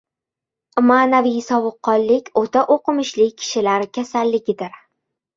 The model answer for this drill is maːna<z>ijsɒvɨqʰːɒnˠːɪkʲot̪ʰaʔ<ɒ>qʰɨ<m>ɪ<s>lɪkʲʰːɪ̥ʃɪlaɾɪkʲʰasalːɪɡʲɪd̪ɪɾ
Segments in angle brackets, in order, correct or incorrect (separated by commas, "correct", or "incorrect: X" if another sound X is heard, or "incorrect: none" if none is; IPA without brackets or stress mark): incorrect: v, incorrect: o, correct, incorrect: ʃ